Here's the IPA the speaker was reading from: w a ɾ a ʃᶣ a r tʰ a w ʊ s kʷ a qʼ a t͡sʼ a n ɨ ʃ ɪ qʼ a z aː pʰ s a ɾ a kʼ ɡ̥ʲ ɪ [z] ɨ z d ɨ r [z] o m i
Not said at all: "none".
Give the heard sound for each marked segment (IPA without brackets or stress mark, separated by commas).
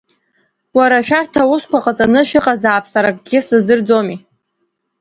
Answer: s, d͡z